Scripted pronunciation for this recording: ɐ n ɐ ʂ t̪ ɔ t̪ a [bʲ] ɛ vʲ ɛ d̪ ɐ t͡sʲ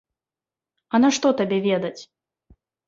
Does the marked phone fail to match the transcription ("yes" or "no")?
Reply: no